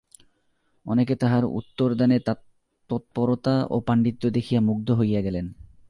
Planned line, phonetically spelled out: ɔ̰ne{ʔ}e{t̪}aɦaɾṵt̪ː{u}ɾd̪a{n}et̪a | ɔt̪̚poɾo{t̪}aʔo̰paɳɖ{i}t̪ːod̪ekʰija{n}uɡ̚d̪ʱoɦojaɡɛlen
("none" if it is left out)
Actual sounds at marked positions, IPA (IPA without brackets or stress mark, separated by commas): k, t̪, o, n, t̪, i, m